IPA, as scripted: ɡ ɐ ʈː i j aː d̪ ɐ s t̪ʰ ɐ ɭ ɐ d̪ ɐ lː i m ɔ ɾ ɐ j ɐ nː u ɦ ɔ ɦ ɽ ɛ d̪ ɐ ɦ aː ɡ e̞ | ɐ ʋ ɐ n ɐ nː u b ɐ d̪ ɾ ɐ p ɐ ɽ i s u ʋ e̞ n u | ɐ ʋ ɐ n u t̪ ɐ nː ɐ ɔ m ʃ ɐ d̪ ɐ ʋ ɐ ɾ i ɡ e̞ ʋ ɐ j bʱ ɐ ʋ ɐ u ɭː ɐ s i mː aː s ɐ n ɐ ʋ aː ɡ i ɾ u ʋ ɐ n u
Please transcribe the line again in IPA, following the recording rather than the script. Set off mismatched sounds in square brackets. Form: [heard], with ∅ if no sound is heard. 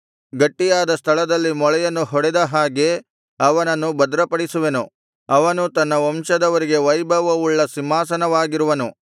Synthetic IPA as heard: ɡ ɐ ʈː i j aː d̪ ɐ s t̪ʰ ɐ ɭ ɐ d̪ ɐ lː i m ɔ [ɭ] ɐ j ɐ nː u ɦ ɔ [∅] ɽ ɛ d̪ ɐ ɦ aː ɡ e̞ | ɐ ʋ ɐ n ɐ nː u b ɐ d̪ ɾ ɐ p ɐ ɽ i s u ʋ e̞ n u | ɐ ʋ ɐ n u t̪ ɐ nː ɐ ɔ m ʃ ɐ d̪ ɐ ʋ ɐ ɾ i ɡ e̞ ʋ ɐ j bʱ ɐ ʋ ɐ u ɭː ɐ s i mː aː s ɐ n ɐ ʋ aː ɡ i ɾ u ʋ ɐ n u